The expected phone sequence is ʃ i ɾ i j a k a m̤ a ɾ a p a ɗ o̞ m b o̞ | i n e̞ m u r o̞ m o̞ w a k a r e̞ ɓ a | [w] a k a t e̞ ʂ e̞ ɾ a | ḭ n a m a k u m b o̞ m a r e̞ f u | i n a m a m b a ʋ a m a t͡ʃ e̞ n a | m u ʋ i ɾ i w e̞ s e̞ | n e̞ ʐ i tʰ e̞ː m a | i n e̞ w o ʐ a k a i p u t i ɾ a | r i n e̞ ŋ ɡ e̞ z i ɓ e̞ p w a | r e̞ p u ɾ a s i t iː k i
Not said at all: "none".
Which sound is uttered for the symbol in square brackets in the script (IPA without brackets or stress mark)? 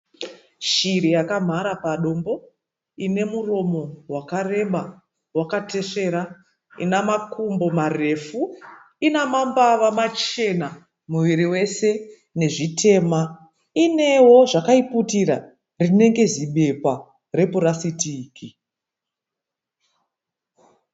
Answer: w